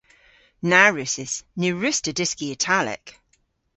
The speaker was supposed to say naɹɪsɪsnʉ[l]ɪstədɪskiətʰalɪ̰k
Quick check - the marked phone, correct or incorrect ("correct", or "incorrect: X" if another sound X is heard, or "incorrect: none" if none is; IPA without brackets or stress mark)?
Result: incorrect: ɹ